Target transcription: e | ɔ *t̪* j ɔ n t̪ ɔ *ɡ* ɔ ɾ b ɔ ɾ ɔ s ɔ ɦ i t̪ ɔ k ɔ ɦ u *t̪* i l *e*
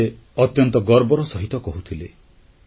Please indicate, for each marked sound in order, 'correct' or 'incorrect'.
correct, correct, incorrect: t̪ʰ, correct

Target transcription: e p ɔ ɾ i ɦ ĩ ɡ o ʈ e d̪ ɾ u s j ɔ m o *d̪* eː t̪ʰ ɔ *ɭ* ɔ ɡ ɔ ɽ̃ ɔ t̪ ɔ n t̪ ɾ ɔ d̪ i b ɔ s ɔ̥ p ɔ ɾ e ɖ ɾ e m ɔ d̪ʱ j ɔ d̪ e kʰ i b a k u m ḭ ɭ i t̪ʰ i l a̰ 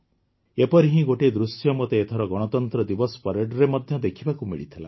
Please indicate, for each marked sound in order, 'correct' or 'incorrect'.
incorrect: t̪, incorrect: ɾ

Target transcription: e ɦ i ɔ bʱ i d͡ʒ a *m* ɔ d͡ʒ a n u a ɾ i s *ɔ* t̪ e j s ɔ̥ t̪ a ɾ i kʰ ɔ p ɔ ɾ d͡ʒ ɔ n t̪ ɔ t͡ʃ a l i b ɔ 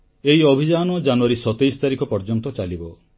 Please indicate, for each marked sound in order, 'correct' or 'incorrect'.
incorrect: n, correct

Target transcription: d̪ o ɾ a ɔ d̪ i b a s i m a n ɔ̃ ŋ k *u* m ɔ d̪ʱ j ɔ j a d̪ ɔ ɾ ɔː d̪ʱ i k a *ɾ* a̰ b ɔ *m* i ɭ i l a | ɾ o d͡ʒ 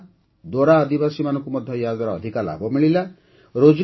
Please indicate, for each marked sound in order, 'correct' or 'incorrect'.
correct, incorrect: l, correct

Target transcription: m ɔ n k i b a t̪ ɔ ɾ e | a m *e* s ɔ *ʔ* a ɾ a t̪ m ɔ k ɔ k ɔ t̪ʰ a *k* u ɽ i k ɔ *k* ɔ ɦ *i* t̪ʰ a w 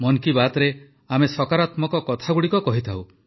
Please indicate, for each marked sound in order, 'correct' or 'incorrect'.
correct, incorrect: k, incorrect: ɡ, correct, correct

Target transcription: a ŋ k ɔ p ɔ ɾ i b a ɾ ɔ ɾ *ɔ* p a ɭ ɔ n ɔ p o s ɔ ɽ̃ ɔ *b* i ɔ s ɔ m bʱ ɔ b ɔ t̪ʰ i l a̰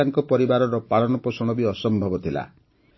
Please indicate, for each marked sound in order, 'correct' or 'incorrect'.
correct, correct

